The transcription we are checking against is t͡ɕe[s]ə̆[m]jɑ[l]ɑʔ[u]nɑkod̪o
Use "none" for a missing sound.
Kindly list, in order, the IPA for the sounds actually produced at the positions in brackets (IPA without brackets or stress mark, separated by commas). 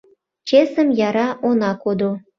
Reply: s, m, ɾ, o